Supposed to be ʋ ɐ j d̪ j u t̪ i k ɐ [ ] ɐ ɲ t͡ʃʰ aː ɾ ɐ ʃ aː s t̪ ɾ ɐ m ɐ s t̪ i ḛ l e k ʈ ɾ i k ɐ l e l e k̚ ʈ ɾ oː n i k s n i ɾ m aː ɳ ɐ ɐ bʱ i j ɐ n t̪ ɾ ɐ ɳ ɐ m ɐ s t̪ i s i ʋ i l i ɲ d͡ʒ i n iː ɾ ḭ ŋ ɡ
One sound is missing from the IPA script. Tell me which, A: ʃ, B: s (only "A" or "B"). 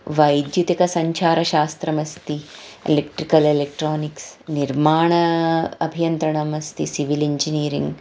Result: B